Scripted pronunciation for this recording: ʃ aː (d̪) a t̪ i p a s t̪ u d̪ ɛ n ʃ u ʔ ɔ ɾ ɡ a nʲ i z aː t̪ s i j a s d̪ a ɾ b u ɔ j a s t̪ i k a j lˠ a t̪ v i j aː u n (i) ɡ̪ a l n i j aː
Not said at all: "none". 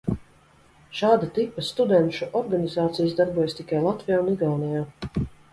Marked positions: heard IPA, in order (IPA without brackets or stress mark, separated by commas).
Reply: d̪, i